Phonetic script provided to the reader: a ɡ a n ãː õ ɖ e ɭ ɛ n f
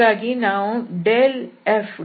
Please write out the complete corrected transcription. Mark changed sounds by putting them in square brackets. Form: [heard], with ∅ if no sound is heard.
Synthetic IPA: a ɡ [i] n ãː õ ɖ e [l] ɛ [∅] f

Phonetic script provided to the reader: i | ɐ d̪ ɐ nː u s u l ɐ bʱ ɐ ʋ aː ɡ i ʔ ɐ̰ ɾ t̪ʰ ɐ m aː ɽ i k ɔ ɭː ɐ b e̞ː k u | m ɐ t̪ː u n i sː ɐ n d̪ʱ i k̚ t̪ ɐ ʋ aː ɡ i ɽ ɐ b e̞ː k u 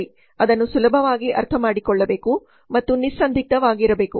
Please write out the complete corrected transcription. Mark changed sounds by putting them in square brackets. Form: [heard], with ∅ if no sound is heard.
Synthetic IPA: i | ɐ d̪ ɐ nː u s u l ɐ bʱ ɐ ʋ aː ɡ i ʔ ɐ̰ ɾ t̪ʰ ɐ m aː ɽ i k ɔ ɭː ɐ b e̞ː k u | m ɐ t̪ː u n i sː ɐ n d̪ʱ i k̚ t̪ ɐ ʋ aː ɡ i [ɾ] ɐ b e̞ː k u

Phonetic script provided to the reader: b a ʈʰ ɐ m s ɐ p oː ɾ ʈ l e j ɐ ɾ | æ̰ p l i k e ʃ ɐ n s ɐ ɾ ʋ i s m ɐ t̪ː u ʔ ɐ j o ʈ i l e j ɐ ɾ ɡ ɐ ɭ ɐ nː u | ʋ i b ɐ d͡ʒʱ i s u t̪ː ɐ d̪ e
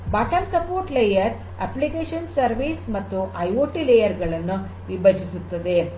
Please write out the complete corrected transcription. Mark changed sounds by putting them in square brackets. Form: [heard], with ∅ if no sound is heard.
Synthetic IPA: b a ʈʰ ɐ m s ɐ p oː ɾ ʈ l e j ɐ ɾ | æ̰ p l i k e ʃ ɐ n s ɐ ɾ ʋ i s m ɐ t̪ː u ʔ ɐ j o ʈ i l e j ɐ ɾ ɡ ɐ ɭ ɐ nː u | ʋ i b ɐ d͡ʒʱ i s u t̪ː ɐ d̪ e

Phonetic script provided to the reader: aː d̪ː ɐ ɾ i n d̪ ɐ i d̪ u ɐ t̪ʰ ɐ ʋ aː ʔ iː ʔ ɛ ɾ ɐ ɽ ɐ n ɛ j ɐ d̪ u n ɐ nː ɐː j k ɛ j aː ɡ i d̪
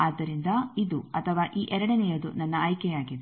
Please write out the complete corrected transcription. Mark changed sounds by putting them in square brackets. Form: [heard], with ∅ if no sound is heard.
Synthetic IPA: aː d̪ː ɐ ɾ i n d̪ ɐ i d̪ u ɐ t̪ʰ ɐ ʋ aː ʔ iː ʔ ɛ ɾ ɐ ɽ ɐ n ɛ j ɐ d̪ u n ɐ nː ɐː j k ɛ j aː ɡ i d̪

